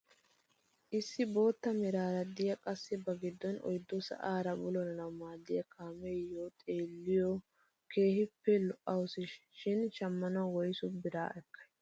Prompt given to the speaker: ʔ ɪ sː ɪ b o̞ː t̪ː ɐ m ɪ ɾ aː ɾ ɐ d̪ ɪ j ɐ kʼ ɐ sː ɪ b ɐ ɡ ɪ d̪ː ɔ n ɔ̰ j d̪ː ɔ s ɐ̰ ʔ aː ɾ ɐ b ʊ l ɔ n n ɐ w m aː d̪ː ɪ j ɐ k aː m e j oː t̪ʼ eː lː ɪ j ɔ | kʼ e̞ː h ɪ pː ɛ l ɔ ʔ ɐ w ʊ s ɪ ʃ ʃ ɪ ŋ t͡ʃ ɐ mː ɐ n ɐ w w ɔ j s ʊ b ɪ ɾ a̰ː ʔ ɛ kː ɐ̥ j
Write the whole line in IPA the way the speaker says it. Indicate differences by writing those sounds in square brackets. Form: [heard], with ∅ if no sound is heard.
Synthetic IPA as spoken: ʔ ɪ sː ɪ b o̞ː t̪ː ɐ m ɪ ɾ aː ɾ ɐ d̪ ɪ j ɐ kʼ ɐ sː ɪ b ɐ ɡ ɪ d̪ː ɔ n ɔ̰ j d̪ː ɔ s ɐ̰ ʔ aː ɾ ɐ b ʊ l ɔ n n ɐ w m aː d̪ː ɪ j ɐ k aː m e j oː t̪ʼ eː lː ɪ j ɔ | [k] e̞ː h ɪ pː ɛ l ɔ ʔ ɐ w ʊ s ɪ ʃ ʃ ɪ [n] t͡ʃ ɐ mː ɐ n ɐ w w ɔ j s ʊ b ɪ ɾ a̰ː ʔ ɛ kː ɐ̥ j